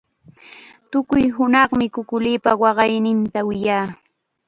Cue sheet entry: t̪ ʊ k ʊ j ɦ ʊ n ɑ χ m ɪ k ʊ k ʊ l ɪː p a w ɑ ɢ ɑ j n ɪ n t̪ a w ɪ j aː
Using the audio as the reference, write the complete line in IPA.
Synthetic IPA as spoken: t̪ ʊ k ʊ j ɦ ʊ n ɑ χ m ɪ k ʊ k ʊ l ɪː p a w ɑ ɢ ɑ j n ɪ n t̪ a w ɪ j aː

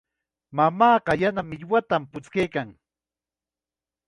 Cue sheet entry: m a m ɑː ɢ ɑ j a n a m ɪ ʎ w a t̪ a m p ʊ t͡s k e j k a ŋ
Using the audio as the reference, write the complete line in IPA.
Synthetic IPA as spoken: m a m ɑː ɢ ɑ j a n a m ɪ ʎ w a t̪ a m p ʊ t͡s k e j k a ŋ

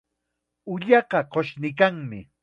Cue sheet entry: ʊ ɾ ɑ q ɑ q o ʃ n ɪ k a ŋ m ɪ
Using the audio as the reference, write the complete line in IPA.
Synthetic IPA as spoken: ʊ ʎ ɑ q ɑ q o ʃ n ɪ k a ŋ m ɪ

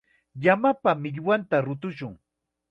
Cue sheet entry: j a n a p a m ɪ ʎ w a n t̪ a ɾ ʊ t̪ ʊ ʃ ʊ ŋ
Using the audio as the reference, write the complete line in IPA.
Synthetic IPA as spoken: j a m a p a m ɪ ʎ w a n t̪ a ɾ ʊ t̪ ʊ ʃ ʊ ŋ

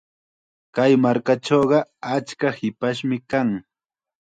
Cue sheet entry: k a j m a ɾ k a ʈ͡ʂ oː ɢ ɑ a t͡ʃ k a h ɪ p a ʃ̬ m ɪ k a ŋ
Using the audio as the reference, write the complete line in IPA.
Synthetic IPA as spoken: k a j m a ɾ k a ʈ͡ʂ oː ɢ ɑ a t͡ʃ k a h ɪ p a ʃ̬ m ɪ k a ŋ

